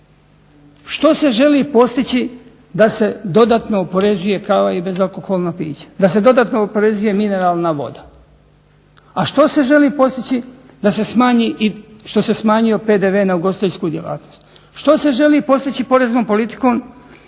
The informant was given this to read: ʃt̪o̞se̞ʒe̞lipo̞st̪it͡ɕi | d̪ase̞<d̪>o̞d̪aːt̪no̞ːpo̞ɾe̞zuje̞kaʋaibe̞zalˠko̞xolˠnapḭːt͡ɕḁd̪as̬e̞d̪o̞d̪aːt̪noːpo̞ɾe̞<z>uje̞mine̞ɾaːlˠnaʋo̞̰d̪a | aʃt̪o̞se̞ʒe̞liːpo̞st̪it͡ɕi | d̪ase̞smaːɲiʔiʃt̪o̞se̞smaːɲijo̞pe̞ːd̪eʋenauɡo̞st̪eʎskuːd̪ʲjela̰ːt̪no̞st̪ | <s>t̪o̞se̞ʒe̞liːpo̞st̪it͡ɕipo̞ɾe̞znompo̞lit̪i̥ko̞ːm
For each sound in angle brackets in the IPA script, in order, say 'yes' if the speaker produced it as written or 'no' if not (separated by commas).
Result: yes, yes, no